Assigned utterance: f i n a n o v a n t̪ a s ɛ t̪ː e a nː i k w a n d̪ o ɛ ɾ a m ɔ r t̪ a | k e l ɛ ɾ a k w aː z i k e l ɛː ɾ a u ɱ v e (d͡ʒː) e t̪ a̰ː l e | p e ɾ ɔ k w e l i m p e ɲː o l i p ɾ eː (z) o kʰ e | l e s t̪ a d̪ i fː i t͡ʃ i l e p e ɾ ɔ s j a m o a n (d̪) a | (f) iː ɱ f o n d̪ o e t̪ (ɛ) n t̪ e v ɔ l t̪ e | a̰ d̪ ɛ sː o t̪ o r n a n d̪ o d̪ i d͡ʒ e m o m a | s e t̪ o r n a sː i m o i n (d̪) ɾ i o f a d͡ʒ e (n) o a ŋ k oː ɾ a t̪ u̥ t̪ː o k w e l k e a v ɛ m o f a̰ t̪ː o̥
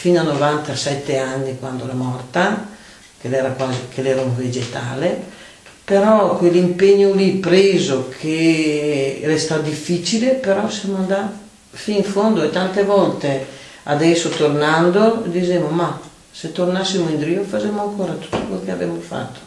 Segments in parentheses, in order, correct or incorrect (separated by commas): incorrect, correct, correct, correct, incorrect, correct, incorrect